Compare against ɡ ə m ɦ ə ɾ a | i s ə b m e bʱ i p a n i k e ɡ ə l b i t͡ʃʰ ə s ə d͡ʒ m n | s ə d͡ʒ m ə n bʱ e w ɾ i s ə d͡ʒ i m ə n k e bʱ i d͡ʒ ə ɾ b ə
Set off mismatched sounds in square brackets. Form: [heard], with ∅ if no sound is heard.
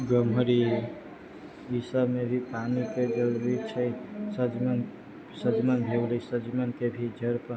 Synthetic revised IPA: ɡ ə m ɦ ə ɾ [i] | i s ə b m e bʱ i p a n i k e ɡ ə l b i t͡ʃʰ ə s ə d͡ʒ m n | s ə d͡ʒ m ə n bʱ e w [l] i s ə d͡ʒ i m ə n k e bʱ i d͡ʒ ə ɾ [p] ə